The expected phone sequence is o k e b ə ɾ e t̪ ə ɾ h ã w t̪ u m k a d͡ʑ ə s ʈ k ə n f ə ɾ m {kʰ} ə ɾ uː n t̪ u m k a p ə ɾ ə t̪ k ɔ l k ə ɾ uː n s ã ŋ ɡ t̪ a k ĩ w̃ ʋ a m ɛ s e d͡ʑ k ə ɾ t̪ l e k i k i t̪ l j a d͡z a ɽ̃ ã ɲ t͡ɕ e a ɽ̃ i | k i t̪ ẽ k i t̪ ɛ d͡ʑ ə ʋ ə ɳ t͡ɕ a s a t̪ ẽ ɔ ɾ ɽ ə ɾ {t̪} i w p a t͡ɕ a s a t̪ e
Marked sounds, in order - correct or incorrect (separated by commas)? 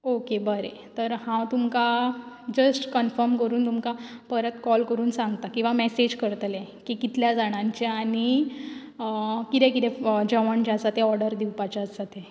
incorrect, incorrect